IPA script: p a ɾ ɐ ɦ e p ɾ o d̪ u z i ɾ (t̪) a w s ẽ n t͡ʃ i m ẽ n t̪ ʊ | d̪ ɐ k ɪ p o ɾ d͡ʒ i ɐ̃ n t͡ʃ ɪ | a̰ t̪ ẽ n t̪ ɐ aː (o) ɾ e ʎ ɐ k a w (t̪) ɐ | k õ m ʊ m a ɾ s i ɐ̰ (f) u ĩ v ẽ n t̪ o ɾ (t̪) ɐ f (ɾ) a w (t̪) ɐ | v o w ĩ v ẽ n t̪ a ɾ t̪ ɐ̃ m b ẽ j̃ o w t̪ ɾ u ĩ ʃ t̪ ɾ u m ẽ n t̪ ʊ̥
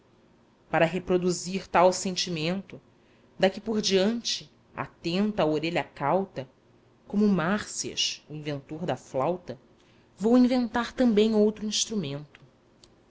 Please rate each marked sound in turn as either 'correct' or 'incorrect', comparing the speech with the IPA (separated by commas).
correct, correct, correct, incorrect, incorrect, incorrect, correct